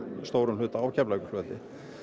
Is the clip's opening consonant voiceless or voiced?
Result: voiceless